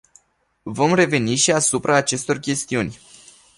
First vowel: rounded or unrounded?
rounded